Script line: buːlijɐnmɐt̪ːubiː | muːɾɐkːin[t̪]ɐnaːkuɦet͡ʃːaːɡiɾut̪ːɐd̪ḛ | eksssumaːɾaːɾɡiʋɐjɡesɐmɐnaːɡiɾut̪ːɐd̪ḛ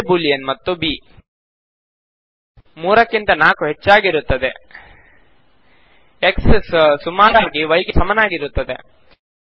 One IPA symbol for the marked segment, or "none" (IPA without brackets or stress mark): t̪